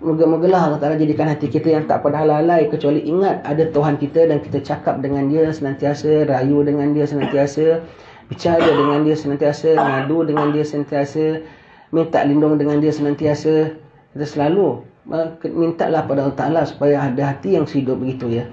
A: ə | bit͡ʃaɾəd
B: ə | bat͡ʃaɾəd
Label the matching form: A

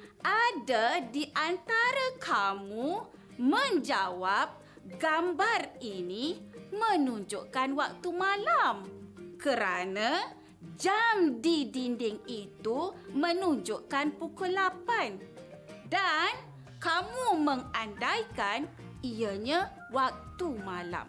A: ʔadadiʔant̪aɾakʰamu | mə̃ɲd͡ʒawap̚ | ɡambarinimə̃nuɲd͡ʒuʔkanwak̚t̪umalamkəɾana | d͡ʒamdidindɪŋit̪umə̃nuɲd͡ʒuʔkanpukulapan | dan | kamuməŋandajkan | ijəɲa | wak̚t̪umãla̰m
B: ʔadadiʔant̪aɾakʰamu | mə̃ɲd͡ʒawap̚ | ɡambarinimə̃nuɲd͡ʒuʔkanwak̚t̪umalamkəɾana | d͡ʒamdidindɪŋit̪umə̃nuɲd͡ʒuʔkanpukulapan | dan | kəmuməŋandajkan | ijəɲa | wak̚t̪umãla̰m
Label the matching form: A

